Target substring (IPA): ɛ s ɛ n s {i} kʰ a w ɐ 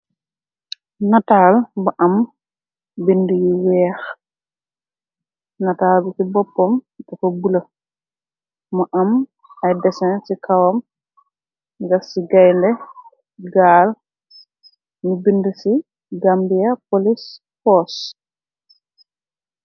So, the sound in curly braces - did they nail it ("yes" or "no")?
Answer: yes